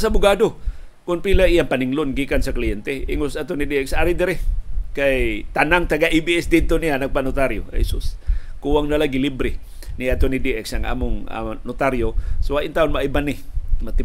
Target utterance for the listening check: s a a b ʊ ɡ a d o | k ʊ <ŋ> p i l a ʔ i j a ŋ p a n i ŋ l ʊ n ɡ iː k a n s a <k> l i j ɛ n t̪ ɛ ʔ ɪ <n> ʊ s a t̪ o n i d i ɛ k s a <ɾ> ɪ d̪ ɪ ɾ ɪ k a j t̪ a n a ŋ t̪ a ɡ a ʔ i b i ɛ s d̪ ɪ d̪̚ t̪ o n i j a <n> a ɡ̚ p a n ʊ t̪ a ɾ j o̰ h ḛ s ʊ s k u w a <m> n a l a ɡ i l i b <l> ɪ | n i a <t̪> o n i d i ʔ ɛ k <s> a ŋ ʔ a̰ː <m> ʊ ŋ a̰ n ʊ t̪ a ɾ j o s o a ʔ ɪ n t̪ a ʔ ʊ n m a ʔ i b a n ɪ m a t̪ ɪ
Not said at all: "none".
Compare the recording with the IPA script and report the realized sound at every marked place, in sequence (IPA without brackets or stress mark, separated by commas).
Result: n, k, ŋ, ɾ, n, ŋ, ɾ, t̪, s, m